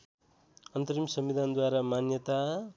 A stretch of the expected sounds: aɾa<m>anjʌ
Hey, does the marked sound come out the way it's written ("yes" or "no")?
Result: yes